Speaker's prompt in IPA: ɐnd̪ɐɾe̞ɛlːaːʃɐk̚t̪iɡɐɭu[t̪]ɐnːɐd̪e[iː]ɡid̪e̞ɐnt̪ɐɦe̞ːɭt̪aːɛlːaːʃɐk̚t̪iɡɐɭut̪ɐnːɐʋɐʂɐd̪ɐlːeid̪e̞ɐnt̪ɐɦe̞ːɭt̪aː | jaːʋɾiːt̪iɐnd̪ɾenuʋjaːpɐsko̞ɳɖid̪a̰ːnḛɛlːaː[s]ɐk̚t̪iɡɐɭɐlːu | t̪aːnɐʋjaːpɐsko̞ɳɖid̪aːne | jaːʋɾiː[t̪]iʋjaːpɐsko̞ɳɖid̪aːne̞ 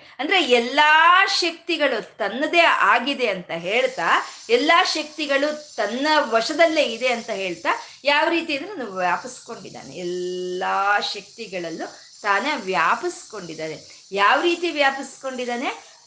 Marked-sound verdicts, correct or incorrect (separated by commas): correct, incorrect, incorrect, correct